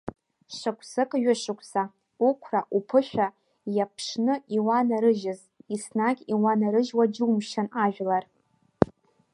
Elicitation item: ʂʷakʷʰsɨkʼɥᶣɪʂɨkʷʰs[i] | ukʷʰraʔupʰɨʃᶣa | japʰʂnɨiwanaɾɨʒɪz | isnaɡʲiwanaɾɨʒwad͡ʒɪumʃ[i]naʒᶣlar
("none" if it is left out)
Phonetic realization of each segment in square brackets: a, a

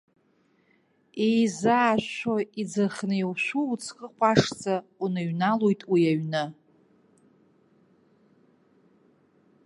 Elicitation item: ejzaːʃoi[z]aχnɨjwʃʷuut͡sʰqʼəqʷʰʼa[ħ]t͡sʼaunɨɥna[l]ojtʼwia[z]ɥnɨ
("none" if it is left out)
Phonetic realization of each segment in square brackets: d͡z, ʂ, l, none

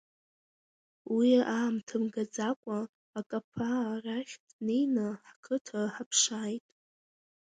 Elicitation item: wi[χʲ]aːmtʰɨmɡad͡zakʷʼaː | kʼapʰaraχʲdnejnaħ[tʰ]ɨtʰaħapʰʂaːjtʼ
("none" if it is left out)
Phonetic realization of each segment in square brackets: none, kʰ

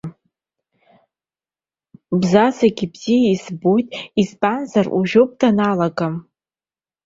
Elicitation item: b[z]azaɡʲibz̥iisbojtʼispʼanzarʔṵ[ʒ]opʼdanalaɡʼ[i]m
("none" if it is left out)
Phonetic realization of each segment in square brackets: z, ʒ, a

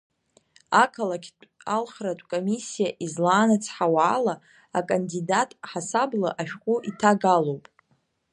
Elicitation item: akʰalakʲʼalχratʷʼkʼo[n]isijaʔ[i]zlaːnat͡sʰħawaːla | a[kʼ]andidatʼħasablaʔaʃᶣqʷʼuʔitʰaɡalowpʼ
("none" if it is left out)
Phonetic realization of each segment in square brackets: m, i, kʼ

